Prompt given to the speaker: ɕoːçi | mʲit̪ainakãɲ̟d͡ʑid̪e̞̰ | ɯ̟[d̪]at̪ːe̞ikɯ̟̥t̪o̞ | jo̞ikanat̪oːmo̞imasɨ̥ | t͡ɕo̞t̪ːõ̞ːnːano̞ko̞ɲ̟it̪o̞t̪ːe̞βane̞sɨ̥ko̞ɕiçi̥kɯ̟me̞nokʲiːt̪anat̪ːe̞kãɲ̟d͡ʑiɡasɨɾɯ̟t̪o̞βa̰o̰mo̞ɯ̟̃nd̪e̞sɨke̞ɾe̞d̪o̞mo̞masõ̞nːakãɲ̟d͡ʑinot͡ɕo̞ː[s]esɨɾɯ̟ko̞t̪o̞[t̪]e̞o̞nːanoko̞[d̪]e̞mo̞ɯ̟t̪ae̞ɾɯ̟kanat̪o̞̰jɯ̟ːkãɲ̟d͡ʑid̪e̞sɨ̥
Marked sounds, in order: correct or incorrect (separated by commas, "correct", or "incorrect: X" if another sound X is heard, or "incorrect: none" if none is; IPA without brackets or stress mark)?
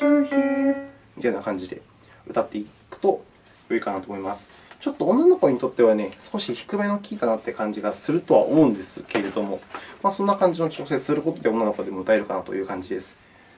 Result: incorrect: t̪, correct, incorrect: d̪, correct